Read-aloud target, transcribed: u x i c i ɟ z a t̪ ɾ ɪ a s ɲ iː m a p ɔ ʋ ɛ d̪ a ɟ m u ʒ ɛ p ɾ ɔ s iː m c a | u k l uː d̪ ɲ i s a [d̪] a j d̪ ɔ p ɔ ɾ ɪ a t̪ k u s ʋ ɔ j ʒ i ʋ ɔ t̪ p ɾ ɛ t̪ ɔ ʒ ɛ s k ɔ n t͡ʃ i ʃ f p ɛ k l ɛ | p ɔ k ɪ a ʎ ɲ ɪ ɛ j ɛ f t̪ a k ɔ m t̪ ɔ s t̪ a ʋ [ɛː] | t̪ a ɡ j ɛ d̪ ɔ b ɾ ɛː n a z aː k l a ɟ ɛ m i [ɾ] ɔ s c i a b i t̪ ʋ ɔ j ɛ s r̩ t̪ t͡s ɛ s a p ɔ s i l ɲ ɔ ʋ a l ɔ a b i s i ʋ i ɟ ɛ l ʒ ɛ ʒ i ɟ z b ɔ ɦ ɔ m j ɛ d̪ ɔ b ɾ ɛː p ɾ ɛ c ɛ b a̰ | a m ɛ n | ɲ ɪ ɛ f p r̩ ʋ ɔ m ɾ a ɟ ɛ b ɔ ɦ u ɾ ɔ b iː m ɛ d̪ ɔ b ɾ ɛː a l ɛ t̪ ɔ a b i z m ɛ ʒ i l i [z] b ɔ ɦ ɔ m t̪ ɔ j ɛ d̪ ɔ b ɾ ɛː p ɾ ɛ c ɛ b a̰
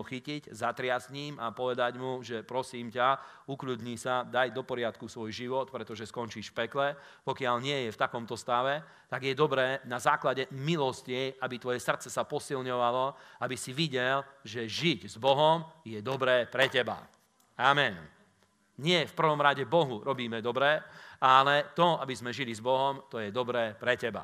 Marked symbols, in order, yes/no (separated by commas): yes, no, no, yes